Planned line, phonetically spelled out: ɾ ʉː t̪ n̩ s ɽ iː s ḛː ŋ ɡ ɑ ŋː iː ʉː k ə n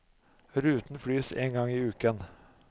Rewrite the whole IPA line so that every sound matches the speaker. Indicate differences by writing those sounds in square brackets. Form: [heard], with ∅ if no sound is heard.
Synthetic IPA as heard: ɾ ʉː t̪ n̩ [f] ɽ [yː] s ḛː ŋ ɡ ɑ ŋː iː ʉː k ə n